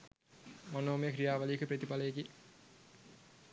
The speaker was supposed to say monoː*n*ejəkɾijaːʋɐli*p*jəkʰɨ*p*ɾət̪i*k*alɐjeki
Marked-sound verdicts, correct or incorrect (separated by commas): incorrect, incorrect, correct, incorrect